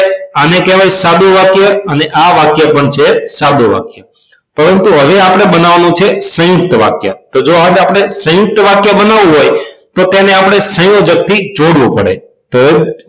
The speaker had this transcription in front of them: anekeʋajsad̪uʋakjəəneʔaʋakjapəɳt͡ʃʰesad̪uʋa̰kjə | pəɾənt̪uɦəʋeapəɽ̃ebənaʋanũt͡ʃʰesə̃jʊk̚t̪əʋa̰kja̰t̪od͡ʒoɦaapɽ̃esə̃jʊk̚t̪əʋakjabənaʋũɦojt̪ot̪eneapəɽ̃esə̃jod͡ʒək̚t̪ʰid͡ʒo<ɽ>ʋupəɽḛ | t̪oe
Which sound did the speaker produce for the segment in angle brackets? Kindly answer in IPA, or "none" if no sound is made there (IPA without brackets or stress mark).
ɽ